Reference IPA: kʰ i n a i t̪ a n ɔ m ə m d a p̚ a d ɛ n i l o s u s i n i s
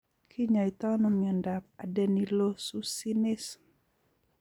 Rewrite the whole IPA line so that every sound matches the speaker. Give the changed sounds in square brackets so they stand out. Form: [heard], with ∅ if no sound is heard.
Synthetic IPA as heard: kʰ i [ɲ] a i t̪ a n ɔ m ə [n] d a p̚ a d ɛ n i l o s u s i n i s